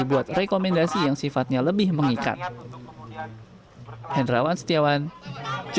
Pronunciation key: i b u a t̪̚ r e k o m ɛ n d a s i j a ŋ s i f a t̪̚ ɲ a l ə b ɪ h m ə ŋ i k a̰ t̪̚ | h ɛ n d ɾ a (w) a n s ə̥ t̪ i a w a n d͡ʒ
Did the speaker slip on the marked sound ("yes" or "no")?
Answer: no